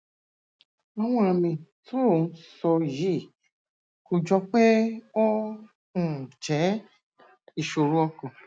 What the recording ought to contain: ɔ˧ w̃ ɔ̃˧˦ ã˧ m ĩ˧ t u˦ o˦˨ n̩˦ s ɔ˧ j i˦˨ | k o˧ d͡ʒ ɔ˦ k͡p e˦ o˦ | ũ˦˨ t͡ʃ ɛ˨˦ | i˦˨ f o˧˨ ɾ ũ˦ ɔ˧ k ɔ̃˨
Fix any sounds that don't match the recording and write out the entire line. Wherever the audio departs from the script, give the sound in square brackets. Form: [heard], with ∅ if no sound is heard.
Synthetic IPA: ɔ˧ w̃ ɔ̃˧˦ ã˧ m ĩ˧ t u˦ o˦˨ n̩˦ s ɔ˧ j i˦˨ | k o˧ d͡ʒ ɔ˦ k͡p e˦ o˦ | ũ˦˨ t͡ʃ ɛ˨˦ | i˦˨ [ʃ] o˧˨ ɾ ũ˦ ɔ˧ k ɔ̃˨